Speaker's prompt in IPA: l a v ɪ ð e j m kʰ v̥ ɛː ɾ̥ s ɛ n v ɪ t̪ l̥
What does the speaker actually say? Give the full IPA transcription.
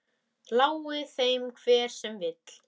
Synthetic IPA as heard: l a w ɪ θ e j m kʰ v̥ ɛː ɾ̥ s ɛ m v ɪ t̪ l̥